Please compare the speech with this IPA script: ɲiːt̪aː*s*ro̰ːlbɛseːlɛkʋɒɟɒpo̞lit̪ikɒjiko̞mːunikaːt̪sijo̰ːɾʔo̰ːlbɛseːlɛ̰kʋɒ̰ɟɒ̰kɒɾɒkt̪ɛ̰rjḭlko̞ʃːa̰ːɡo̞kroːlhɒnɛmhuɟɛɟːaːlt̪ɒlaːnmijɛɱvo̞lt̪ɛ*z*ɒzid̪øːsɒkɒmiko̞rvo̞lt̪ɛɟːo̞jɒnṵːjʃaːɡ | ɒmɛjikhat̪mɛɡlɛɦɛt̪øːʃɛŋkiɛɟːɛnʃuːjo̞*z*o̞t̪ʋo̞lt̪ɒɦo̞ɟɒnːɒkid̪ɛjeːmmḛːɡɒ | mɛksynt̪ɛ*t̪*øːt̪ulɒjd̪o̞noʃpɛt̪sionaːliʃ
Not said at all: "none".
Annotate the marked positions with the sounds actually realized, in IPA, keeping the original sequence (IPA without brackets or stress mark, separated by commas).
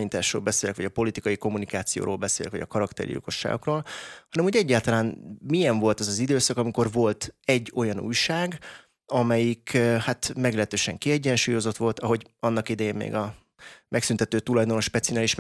ʃ, z, z, t̪